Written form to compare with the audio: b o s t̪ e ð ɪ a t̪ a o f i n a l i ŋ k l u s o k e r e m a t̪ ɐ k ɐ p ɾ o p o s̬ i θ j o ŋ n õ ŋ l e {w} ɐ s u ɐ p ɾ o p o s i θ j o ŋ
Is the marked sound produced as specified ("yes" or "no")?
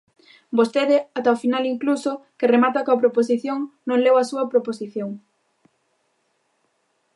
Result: yes